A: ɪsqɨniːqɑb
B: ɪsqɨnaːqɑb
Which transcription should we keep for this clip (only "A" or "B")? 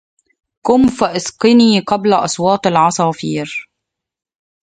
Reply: A